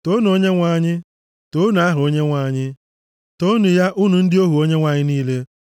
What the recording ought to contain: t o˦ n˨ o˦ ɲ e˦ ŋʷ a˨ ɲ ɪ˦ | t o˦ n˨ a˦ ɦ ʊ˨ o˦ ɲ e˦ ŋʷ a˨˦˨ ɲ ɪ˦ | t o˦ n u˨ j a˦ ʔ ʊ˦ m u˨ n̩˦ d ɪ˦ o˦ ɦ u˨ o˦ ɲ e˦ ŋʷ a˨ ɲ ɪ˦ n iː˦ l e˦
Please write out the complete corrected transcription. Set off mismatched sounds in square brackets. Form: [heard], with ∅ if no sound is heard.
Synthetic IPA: t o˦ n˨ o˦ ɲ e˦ ŋʷ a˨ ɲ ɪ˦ | t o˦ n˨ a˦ ɦ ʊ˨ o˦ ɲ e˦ ŋʷ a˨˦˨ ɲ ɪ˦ | t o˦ n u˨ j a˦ ʔ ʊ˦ [n] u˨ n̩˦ d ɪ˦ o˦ ɦ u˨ o˦ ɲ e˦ ŋʷ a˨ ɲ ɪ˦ n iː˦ l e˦